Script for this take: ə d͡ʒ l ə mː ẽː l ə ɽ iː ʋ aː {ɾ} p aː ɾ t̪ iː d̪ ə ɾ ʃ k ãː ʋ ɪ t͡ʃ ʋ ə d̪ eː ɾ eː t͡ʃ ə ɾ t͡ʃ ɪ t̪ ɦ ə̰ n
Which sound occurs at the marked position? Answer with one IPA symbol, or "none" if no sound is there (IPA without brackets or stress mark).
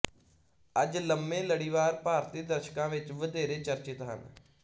ɾ